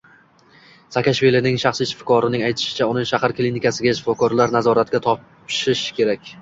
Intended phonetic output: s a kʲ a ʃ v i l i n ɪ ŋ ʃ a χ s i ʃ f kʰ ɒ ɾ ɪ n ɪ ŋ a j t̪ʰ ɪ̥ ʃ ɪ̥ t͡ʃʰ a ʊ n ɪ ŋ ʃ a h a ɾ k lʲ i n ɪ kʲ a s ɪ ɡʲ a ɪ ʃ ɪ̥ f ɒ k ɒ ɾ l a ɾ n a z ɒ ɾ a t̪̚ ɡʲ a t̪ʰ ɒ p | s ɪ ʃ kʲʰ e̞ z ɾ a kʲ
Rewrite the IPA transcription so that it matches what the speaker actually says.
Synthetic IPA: s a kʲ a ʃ v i l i n ɪ ŋ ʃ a χ s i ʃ f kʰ ɒ ɾ ɪ n ɪ ŋ a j t̪ʰ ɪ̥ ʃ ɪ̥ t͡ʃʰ a ʊ n ɪ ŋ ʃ a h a ɾ k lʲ i n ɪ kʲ a s ɪ ɡʲ a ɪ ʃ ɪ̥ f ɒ k ɒ ɾ l a ɾ n a z ɒ ɾ a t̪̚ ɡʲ a t̪ʰ ɒ p | ʃ ɪ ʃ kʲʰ e̞ ɾ a kʲ